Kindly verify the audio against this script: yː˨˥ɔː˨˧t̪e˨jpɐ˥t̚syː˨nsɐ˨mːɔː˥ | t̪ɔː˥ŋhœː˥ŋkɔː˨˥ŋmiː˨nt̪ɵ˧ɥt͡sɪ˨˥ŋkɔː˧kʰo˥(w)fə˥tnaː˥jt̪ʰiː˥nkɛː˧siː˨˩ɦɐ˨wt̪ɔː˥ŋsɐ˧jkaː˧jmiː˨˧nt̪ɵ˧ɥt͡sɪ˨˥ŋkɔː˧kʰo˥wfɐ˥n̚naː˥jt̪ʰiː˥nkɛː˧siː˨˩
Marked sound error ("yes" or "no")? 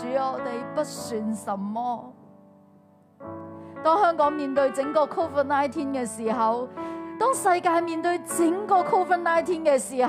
no